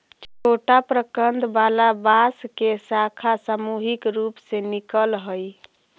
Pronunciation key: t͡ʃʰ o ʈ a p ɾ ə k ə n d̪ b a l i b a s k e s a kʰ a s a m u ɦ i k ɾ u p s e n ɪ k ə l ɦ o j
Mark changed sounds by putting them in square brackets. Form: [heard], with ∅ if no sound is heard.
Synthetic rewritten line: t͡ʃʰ o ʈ a p ɾ ə k ə n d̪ b a l [a] b a s k e s a kʰ a s a m u ɦ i k ɾ u p s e n [i] k ə l ɦ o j